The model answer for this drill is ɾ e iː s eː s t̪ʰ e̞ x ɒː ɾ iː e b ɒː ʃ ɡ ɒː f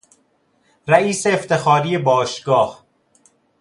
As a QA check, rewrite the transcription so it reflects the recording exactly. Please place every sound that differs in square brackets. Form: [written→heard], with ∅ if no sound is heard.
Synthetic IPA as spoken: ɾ [e→æ] iː s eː [s→f] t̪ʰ e̞ x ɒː ɾ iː e b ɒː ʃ ɡ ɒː [f→h]